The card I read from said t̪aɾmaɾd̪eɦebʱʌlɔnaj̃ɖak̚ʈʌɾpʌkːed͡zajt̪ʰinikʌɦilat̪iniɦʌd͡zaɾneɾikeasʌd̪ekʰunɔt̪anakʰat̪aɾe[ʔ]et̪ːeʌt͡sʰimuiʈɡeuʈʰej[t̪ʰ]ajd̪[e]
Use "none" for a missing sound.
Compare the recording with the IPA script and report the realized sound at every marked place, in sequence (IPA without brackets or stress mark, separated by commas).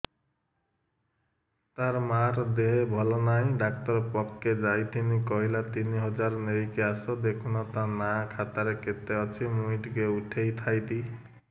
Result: k, t̪ʰ, i